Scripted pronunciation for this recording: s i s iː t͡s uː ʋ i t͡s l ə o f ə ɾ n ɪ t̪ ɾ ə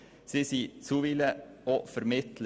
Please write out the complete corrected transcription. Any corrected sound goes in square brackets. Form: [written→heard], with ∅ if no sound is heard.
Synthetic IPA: s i s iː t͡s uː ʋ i [t͡s→∅] l ə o f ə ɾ [n→m] ɪ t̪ [ɾ→l] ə